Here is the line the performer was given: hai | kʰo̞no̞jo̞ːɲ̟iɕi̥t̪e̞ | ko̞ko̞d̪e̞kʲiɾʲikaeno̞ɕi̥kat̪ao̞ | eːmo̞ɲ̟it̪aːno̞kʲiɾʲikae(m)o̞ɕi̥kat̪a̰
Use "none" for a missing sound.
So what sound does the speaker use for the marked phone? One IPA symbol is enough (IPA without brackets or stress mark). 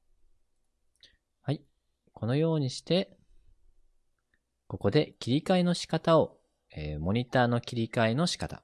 n